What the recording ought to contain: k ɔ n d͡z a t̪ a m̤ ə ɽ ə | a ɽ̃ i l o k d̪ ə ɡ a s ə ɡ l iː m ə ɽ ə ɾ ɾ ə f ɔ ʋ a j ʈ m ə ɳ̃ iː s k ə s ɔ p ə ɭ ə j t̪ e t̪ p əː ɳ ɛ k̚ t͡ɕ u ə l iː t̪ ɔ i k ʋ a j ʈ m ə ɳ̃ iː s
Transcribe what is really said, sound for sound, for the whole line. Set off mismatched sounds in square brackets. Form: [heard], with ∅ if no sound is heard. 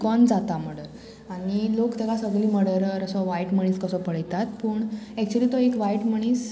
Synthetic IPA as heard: k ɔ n d͡z a t̪ a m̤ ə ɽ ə | a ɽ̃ i l o k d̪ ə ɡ a s ə ɡ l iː m ə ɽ ə ɾ ɾ ə [s] ɔ ʋ a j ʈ m ə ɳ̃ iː s k ə s ɔ p ə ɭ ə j t̪ [a] t̪ p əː ɳ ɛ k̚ t͡ɕ u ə l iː t̪ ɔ [e] k ʋ a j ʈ m ə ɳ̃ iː s